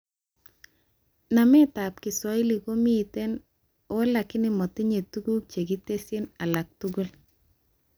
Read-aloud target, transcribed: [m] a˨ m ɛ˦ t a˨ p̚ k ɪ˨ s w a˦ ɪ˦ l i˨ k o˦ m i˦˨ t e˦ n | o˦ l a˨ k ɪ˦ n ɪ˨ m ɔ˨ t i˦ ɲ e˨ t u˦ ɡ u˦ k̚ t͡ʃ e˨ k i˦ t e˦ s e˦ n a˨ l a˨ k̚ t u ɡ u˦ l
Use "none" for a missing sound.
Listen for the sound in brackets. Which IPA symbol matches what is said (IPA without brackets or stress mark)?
n